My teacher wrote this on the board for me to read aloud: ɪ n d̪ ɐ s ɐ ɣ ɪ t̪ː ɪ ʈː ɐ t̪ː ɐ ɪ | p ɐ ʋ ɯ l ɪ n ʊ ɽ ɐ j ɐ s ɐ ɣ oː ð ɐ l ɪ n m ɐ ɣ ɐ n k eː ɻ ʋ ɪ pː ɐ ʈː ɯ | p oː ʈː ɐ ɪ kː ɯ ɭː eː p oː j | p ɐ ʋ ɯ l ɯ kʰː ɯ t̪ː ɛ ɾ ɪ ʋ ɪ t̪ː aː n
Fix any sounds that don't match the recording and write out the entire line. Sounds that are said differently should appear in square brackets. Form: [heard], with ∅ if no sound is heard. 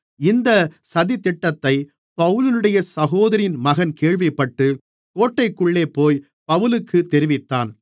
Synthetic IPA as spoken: ɪ n d̪ ɐ s ɐ [ð] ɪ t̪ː ɪ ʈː ɐ t̪ː ɐ ɪ | p ɐ ʋ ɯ l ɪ n [ɯ] ɽ ɐ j ɐ s ɐ ɣ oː ð ɐ [ɾ] ɪ n m ɐ ɣ ɐ n k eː ɻ ʋ ɪ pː ɐ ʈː ɯ | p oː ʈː ɐ ɪ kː ɯ ɭː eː p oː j | p ɐ ʋ ɯ l ɯ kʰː ɯ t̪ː ɛ ɾ ɪ ʋ ɪ t̪ː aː n